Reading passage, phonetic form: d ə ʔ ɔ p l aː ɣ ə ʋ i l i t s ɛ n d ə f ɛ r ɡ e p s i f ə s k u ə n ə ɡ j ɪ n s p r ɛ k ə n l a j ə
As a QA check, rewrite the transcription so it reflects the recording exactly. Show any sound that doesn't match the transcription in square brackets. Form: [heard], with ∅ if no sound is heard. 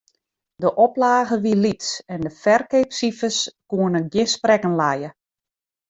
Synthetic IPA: d ə ʔ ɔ p l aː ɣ ə ʋ i l i t s ɛ n d ə f ɛ r [k] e p s i f ə s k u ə n ə ɡ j ɪ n s p r ɛ k ə n l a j ə